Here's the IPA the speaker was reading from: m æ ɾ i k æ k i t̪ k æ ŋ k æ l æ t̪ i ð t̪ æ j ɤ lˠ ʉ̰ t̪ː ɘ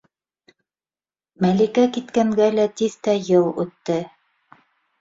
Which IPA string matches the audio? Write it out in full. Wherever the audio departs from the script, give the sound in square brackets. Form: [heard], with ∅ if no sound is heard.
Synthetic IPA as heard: m æ [l] i k æ k i t̪ k æ ŋ [ɡ] æ l æ t̪ i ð t̪ æ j ɤ lˠ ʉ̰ t̪ː ɘ